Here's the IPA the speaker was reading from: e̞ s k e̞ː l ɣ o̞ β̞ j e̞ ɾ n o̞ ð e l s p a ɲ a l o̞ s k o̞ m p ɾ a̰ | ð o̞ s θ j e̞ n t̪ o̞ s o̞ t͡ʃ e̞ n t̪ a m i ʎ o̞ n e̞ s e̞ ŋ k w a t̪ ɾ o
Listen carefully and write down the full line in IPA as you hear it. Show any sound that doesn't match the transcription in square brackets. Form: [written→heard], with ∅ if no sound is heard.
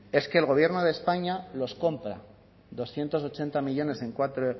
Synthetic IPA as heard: e̞ s k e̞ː l ɣ o̞ β̞ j e̞ ɾ n o̞ ð e [l→∅] s p a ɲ a l o̞ s k o̞ m p ɾ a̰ | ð o̞ s θ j e̞ n t̪ o̞ s o̞ t͡ʃ e̞ n t̪ a m i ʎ o̞ n e̞ s e̞ ŋ k w a t̪ ɾ o